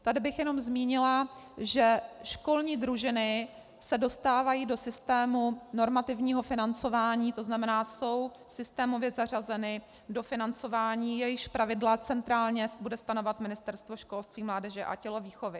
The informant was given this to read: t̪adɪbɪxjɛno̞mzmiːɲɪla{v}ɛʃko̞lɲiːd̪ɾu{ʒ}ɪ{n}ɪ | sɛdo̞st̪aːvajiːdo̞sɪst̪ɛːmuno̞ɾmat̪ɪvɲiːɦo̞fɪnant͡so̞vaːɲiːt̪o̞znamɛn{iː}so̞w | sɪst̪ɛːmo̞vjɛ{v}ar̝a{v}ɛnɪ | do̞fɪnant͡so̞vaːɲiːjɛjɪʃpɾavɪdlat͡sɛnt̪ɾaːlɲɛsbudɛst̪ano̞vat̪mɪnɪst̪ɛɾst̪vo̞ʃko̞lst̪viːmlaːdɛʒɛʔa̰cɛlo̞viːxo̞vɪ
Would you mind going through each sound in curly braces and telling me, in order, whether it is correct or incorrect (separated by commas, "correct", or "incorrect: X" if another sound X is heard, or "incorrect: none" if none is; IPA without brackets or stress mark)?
incorrect: ʒ, correct, correct, incorrect: aː, incorrect: z, incorrect: z